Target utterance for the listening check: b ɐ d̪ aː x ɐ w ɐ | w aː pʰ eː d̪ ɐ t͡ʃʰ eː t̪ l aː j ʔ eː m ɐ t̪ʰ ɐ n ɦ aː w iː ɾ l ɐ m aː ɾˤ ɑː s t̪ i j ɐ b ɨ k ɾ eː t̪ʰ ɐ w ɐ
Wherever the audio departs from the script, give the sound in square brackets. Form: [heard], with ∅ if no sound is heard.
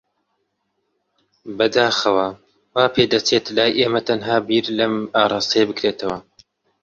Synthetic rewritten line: b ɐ d̪ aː x ɐ w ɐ | w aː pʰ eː d̪ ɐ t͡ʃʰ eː t̪ l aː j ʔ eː m ɐ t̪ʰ ɐ n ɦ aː [b] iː ɾ l ɐ m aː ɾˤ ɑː s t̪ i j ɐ b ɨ k ɾ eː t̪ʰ ɐ w ɐ